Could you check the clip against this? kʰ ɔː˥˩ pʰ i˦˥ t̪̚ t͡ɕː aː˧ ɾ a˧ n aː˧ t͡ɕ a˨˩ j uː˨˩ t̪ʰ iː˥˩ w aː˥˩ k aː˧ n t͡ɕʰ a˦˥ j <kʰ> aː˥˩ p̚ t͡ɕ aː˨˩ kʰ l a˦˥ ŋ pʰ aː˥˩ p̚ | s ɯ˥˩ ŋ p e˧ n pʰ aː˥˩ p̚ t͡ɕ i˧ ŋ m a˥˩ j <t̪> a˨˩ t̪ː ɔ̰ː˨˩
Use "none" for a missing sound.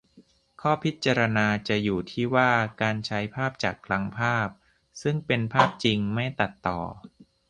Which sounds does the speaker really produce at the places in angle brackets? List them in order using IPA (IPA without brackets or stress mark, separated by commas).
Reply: pʰ, t̪